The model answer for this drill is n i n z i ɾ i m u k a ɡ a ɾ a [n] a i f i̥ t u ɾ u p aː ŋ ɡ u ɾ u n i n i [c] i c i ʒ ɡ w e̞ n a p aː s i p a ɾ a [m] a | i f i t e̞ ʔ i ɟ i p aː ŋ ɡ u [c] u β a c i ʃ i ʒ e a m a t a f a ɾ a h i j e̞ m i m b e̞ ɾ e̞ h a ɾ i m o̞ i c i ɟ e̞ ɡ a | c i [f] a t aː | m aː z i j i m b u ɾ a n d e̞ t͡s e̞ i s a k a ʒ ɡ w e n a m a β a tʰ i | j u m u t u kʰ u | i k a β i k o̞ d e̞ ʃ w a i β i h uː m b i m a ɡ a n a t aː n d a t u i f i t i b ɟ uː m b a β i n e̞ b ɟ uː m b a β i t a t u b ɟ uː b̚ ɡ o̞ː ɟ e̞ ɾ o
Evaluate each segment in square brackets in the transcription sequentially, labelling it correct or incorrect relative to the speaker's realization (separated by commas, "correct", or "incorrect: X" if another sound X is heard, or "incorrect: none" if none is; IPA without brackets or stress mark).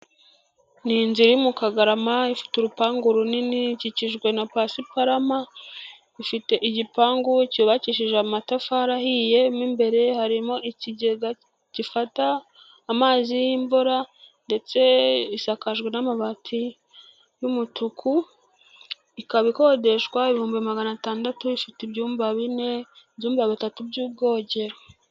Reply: incorrect: m, correct, correct, correct, correct